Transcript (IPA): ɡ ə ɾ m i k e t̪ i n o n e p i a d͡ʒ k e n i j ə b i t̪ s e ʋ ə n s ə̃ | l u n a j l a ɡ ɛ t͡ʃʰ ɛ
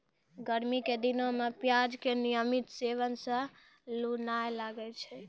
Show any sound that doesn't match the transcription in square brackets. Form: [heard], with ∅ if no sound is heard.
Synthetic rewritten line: ɡ ə ɾ m i k e [d̪] i n o [m] e p [j] a d͡ʒ k e n i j ə [m] i t̪ s e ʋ ə n s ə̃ | l u n a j l a ɡ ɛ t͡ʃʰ ɛ